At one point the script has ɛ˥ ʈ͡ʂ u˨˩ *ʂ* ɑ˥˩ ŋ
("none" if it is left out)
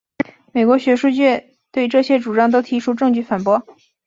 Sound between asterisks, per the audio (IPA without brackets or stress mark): ʈ͡ʂ